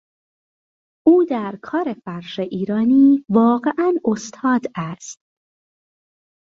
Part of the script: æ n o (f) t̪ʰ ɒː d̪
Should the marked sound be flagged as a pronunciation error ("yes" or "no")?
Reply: yes